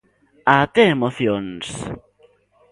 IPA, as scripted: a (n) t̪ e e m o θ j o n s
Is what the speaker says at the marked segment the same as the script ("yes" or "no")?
no